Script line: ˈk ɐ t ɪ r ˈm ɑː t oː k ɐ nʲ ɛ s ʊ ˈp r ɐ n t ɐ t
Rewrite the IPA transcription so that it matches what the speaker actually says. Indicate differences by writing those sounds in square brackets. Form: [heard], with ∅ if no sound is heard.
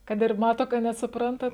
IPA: ˈk ɐ t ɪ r ˈm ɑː t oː k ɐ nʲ ɛ s ʊ ˈp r ɐ n t ɐ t